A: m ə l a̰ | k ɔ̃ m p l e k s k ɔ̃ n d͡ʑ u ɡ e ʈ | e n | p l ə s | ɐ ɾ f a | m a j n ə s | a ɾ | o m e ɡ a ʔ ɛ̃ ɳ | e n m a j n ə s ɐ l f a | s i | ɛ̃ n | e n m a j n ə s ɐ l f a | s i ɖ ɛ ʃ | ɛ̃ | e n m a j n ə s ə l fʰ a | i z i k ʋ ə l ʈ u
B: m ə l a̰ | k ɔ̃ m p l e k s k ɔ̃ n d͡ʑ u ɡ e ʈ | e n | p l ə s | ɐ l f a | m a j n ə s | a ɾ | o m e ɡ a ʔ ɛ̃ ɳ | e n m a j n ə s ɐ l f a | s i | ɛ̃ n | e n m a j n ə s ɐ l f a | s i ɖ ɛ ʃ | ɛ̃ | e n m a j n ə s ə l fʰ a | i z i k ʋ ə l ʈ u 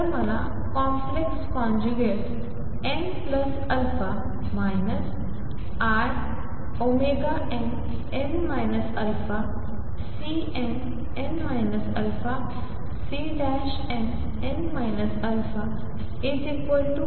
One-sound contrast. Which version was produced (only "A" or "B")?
B